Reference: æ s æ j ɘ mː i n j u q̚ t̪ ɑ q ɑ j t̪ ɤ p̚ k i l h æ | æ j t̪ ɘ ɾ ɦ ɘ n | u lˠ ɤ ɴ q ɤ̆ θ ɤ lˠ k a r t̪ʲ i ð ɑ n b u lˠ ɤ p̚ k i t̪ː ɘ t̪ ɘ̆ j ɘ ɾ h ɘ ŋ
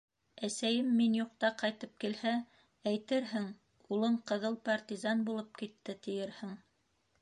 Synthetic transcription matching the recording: æ s æ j ɘ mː i n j u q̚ t̪ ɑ q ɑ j t̪ ɤ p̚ k i l h æ | æ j t̪ ɘ ɾ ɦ ɘ ŋ | u lˠ ɤ ɴ q ɤ̆ ð ɤ lˠ p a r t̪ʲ i z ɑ n b u lˠ ɤ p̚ k i t̪ː ɘ t̪ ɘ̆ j ɘ ɾ h ɘ ŋ